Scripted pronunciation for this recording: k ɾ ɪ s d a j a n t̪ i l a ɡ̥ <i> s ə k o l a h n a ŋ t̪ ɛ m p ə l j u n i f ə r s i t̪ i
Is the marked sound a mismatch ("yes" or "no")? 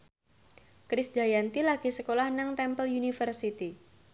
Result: no